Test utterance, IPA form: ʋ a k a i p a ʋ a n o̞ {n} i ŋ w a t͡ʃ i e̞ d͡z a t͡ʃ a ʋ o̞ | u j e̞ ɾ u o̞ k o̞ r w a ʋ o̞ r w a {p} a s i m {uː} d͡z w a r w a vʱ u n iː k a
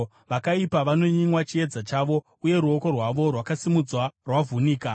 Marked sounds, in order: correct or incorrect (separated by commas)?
incorrect, incorrect, incorrect